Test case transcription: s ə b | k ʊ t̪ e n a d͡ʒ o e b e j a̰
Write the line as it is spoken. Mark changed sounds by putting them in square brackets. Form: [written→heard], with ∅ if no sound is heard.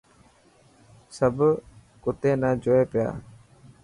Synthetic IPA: s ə b | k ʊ t̪ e n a d͡ʒ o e [b→p] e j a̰